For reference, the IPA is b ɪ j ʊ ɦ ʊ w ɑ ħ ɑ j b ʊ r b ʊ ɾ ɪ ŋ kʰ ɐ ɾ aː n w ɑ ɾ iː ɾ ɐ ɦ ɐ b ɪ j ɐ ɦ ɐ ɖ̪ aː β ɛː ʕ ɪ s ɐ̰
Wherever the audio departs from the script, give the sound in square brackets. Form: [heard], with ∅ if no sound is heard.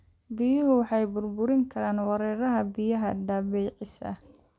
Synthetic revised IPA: b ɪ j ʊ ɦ ʊ w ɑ ħ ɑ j b ʊ r b ʊ ɾ ɪ ŋ kʰ ɐ ɾ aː n w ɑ ɾ [ɛː] ɾ ɐ ɦ ɐ b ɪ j ɐ ɦ ɐ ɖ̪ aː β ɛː ʕ ɪ s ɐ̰